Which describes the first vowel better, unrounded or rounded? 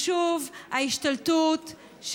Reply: rounded